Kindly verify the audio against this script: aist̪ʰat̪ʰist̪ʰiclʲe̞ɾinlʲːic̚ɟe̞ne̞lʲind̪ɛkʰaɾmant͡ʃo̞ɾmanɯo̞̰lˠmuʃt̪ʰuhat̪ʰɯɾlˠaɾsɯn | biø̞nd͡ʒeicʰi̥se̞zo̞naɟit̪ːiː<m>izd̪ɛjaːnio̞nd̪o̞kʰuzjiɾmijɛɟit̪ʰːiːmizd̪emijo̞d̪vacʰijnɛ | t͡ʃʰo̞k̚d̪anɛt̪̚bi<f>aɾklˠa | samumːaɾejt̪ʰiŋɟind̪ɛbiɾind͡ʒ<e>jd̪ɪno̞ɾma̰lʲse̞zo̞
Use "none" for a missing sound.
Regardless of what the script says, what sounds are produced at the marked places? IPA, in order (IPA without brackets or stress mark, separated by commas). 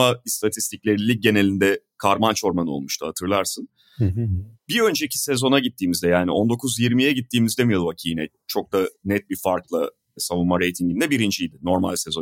m, f, i